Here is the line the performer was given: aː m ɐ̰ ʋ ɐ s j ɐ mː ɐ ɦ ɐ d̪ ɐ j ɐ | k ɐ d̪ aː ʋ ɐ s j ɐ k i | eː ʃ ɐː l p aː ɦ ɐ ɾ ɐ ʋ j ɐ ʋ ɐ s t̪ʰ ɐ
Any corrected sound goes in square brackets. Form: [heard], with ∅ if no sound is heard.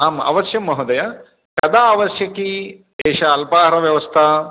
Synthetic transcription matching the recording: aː m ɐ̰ ʋ ɐ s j ɐ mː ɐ ɦ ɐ d̪ ɐ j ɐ | k ɐ d̪ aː ʋ ɐ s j ɐ k i | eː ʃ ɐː l p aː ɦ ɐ ɾ ɐ ʋ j ɐ ʋ ɐ s t̪ʰ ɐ